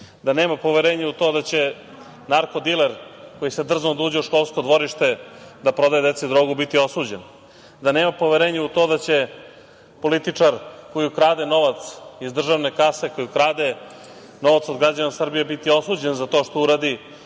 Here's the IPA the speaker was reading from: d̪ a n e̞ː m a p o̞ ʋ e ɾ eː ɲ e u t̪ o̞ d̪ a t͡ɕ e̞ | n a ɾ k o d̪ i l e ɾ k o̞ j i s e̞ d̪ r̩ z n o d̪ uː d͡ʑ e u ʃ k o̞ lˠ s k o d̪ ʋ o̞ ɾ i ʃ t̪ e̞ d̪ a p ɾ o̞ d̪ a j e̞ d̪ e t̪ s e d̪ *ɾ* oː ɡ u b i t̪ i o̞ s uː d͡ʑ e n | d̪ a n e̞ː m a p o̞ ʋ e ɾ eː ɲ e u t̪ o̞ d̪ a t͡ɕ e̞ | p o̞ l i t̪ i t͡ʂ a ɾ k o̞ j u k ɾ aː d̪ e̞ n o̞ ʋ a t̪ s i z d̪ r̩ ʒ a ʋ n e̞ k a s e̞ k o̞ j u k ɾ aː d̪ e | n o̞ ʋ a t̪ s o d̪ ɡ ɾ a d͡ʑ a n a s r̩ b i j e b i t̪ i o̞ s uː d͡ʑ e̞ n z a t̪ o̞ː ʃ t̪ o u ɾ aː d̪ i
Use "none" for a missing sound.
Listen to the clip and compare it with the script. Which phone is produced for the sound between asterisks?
ɾ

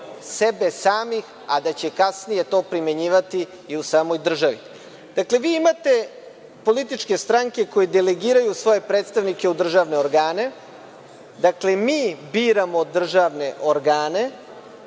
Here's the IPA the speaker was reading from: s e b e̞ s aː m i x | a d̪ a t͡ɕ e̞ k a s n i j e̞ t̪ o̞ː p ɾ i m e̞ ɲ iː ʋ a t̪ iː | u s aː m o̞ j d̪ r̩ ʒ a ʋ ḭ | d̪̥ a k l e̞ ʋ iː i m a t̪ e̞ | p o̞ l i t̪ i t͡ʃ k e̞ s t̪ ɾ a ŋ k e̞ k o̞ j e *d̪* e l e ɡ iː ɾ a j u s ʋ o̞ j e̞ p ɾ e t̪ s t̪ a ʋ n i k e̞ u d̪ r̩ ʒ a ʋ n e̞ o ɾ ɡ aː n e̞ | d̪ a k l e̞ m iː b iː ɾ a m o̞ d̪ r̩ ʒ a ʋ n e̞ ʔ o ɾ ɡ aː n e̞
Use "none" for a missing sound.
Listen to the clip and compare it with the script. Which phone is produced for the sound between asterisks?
d̪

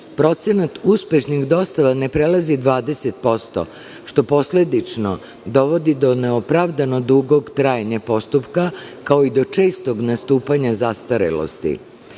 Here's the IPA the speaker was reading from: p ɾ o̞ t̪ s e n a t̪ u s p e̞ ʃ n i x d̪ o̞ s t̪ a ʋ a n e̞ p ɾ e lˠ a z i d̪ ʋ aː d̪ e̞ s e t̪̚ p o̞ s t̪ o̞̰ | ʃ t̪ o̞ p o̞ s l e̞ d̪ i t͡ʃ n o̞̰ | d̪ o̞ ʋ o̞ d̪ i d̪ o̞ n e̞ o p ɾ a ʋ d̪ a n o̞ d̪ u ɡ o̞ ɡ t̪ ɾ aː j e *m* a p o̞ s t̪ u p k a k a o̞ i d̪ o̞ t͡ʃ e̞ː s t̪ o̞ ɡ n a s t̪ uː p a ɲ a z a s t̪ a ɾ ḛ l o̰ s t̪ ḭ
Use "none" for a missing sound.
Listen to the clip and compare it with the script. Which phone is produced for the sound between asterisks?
ɲ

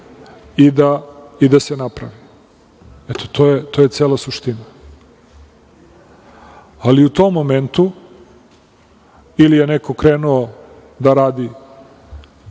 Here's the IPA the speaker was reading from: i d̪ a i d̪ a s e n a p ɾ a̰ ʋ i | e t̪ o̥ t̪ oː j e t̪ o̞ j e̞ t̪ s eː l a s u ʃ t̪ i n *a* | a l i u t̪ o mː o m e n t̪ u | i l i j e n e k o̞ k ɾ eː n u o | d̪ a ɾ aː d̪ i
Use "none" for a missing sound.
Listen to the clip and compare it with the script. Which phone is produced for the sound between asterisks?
a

